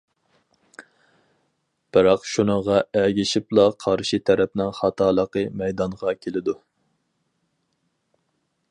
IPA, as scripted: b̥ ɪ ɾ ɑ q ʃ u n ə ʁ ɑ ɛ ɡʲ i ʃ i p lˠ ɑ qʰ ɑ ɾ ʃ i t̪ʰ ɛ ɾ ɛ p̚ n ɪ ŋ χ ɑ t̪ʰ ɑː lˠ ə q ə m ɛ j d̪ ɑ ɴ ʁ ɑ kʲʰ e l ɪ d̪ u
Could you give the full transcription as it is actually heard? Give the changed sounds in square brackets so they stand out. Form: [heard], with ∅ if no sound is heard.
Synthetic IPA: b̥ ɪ ɾ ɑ q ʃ u n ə ʁ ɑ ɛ ɡʲ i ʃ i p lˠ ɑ qʰ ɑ ɾ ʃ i t̪ʰ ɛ ɾ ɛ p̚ n ɪ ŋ χ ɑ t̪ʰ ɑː lˠ ə q ə m ɛ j d̪ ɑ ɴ ʁ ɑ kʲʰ e l ɪ d̪ u